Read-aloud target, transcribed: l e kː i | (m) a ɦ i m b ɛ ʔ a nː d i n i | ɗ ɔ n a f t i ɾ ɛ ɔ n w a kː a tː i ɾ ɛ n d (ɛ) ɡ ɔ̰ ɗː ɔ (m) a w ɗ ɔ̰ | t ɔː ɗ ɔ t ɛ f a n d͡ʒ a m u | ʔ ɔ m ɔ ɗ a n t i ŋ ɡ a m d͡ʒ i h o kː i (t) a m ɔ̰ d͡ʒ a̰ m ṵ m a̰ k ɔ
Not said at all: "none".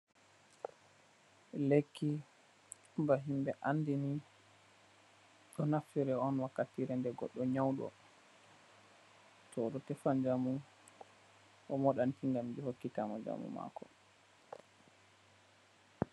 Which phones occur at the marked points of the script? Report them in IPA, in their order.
b, ɛ, ɲ, t

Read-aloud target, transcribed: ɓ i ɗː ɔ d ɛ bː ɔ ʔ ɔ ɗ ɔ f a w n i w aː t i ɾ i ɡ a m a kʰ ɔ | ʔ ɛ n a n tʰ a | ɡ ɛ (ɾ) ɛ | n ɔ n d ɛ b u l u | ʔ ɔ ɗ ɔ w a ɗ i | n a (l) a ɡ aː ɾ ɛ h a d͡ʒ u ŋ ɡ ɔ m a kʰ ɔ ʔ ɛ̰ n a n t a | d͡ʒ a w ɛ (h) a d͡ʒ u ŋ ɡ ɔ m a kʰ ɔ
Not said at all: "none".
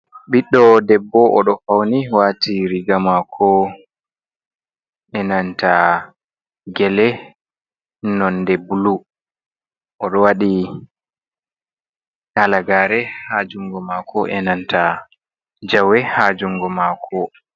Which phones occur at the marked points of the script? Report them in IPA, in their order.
l, l, h

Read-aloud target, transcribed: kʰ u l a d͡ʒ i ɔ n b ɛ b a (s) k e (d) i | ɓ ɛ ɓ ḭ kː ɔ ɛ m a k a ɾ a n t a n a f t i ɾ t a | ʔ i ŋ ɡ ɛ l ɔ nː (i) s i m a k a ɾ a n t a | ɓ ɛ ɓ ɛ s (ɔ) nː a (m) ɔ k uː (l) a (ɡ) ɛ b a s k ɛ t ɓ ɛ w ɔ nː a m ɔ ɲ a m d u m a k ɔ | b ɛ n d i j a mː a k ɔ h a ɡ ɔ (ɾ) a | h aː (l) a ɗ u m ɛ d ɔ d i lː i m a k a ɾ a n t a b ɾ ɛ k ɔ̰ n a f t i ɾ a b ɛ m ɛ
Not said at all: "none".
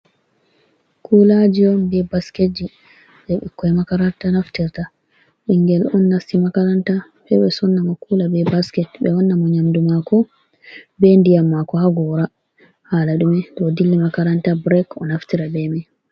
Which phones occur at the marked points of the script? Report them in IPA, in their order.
s, d͡ʒ, a, ɔ, m, l, b, ɾ, l

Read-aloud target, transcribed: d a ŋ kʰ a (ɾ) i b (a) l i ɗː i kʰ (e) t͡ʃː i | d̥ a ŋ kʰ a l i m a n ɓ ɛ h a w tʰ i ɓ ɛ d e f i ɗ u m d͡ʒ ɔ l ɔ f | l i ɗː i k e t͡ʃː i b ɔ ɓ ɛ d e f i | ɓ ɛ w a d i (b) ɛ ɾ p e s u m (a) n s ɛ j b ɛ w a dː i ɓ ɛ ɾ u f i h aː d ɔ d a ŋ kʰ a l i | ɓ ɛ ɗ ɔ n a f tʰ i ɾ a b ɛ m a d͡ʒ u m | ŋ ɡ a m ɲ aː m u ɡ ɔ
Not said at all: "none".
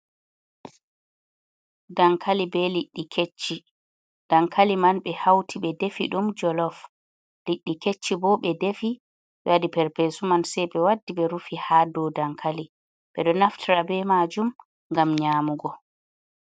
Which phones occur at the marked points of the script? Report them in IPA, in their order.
l, ɛ, e, p, a

